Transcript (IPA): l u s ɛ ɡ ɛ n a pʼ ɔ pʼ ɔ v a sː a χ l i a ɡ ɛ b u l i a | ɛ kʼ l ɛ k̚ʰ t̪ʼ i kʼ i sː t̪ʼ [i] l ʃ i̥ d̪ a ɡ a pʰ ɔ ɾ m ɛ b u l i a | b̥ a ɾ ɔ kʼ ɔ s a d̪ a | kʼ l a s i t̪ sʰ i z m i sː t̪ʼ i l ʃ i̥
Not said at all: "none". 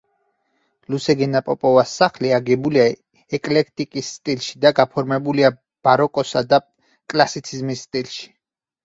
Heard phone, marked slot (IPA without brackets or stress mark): i